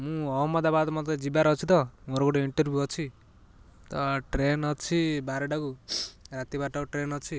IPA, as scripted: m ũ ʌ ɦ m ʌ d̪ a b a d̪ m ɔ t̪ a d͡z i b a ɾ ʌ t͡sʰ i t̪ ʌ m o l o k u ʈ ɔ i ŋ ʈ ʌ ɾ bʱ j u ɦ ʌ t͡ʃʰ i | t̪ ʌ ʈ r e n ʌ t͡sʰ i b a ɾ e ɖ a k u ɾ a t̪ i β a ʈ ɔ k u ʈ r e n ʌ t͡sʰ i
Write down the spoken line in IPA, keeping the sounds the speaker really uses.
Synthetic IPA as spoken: m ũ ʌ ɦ m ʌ d̪ a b a d̪ m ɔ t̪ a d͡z i b a ɾ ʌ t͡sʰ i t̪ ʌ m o ɾ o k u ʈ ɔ i ɳ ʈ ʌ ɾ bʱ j u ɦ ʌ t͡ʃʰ i | t̪ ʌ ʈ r e n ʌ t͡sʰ i b a ɾ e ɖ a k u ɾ a t̪ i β a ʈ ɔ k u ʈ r e n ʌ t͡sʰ i